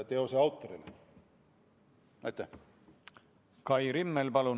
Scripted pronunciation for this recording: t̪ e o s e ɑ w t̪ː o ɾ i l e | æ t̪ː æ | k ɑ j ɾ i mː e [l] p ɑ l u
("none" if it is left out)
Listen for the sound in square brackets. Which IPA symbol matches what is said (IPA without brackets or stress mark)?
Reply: l